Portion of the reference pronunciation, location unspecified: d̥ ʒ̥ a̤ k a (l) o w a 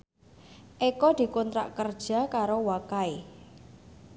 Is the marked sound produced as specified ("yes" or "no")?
no